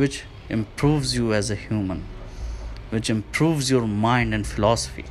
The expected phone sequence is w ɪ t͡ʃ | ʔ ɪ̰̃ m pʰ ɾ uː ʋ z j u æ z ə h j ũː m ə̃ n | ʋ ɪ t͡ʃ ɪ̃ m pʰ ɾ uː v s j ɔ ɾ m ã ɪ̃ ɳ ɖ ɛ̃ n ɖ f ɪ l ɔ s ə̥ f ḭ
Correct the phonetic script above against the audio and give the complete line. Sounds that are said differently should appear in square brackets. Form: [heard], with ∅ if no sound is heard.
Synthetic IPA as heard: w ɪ t͡ʃ | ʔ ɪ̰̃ m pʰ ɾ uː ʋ z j u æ z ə h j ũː m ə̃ n | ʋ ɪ t͡ʃ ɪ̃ m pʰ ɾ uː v [z] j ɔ ɾ m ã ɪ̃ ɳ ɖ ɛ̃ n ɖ f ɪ l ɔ s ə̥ f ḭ